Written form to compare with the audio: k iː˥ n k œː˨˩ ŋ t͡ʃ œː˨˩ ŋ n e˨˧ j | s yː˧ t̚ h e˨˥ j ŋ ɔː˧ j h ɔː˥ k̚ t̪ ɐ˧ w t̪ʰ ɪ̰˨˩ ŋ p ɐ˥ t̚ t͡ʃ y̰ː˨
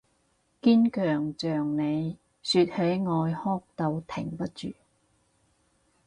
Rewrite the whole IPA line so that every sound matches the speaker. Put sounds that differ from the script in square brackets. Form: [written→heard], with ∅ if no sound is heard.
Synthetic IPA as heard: k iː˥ n k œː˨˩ ŋ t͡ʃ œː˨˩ ŋ n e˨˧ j | s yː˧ t̚ h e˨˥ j ŋ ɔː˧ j h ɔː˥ k̚ t̪ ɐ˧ w t̪ʰ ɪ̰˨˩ ŋ p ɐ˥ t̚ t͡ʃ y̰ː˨